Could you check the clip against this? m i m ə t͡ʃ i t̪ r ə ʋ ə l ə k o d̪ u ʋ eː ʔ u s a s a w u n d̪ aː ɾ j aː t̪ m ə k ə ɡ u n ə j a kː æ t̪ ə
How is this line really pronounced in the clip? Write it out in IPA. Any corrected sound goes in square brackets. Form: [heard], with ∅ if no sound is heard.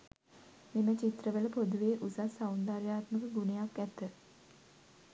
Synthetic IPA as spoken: m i m ə t͡ʃ i t̪ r ə ʋ ə l ə [p] o d̪ u ʋ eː ʔ u s a s a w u n d̪ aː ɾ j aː t̪ m ə k ə ɡ u n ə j a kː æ t̪ ə